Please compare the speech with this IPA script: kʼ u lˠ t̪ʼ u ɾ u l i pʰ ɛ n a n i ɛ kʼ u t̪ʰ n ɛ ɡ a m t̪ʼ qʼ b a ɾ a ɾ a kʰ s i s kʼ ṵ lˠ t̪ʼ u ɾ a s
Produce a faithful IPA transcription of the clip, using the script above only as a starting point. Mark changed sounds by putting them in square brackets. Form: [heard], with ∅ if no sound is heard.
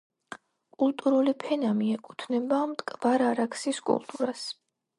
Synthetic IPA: kʼ u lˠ t̪ʼ u ɾ u l i pʰ ɛ n a [m] i ɛ kʼ u t̪ʰ n ɛ [b] a m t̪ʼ [kʼ] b a ɾ a ɾ a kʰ s i s kʼ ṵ lˠ t̪ʼ u ɾ a s

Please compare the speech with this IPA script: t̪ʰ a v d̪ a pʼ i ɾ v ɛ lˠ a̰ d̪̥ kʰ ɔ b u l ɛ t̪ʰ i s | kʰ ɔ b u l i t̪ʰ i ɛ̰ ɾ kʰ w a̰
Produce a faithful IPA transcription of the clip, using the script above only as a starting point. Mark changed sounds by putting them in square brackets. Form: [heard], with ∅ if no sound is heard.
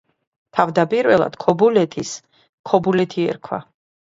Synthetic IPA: t̪ʰ a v d̪ a pʼ i ɾ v ɛ lˠ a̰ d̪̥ kʰ ɔ b u l ɛ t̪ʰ i s | kʰ ɔ b u l [ɛ] t̪ʰ i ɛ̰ ɾ kʰ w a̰

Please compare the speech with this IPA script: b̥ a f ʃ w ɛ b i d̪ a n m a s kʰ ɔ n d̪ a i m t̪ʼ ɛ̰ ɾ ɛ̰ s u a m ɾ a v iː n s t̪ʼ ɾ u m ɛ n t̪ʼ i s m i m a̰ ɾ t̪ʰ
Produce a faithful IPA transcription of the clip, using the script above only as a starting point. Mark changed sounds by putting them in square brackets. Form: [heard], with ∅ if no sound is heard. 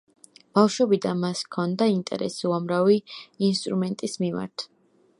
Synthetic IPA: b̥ a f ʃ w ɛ b i d̪ a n m a s kʰ ɔ n d̪ a i [n] t̪ʼ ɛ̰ ɾ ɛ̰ s u a m ɾ a v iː n s t̪ʼ ɾ u m ɛ n t̪ʼ i s m i m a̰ ɾ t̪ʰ

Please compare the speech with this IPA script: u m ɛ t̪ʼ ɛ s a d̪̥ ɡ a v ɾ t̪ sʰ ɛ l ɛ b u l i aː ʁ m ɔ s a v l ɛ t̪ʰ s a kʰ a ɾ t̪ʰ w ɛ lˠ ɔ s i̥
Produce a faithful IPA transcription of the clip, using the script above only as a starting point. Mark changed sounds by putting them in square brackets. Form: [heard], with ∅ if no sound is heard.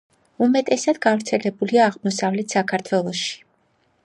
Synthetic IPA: u m ɛ t̪ʼ ɛ s a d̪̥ ɡ a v ɾ t̪ sʰ ɛ l ɛ b u l i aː ʁ m ɔ s a v l ɛ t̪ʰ s a kʰ a ɾ t̪ʰ w ɛ lˠ ɔ [ʃ] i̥

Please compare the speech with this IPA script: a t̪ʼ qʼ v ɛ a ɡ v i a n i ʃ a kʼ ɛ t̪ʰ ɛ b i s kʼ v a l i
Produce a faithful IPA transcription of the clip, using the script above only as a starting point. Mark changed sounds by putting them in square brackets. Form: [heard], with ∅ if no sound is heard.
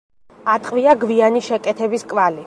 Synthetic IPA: a t̪ʼ qʼ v [i] a ɡ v i a n i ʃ [ɛ] kʼ ɛ t̪ʰ ɛ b i s kʼ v a l i

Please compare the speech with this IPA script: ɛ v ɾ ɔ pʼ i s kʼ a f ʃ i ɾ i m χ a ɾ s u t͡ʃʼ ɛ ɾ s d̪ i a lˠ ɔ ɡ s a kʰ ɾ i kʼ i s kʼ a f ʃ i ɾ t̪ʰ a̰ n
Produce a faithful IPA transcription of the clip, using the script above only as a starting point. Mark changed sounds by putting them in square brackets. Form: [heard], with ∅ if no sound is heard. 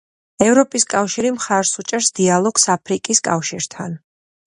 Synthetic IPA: ɛ v ɾ ɔ pʼ i s kʼ a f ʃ i ɾ i m χ a ɾ s u t͡ʃʼ ɛ ɾ s d̪ i a lˠ ɔ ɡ s a [pʰ] ɾ i kʼ i s kʼ a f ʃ i ɾ t̪ʰ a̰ n

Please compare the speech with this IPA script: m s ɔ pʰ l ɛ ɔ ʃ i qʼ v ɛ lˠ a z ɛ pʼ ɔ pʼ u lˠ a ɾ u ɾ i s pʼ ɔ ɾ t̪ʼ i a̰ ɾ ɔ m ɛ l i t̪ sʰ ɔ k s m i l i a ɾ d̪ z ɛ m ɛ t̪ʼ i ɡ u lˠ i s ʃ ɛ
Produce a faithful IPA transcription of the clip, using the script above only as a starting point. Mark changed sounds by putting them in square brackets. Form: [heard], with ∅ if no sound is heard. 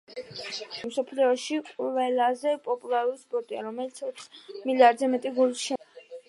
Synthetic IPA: m s ɔ pʰ l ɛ ɔ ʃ i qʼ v ɛ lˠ a z ɛ pʼ ɔ pʼ u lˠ a ɾ u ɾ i s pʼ ɔ ɾ t̪ʼ i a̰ ɾ ɔ m ɛ l i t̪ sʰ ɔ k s m i l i a ɾ d̪ z ɛ m ɛ t̪ʼ i ɡ u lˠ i s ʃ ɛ

